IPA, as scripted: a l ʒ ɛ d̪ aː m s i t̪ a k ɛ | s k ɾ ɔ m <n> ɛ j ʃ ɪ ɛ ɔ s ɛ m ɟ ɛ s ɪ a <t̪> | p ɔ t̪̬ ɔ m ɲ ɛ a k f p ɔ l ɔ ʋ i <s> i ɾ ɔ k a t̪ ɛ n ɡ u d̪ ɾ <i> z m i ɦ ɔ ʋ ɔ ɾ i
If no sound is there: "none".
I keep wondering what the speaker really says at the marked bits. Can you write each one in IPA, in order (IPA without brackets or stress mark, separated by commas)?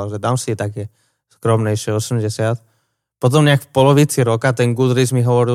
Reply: ɲ, t̪, t͡s, i